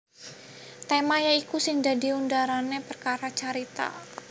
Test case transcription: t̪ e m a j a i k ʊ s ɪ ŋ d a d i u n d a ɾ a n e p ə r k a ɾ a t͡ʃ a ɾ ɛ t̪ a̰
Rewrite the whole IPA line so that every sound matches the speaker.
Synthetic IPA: t̪ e m a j a i k u s ɪ ŋ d a d i u n d a ɾ a n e p ə r k a ɾ a t͡ʃ a ɾ i t̪ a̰